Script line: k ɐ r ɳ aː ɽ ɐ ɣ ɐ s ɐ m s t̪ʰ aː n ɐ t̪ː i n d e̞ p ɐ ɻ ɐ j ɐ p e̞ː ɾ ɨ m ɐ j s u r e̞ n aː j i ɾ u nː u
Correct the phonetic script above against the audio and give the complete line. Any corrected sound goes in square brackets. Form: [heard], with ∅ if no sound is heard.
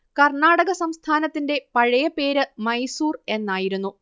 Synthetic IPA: k ɐ r ɳ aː ɽ ɐ ɣ ɐ s ɐ m s t̪ʰ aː n ɐ t̪ː i n d e̞ p ɐ ɻ ɐ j ɐ p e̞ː ɾ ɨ m ɐ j s [uː] r e̞ [nː] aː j i ɾ u nː u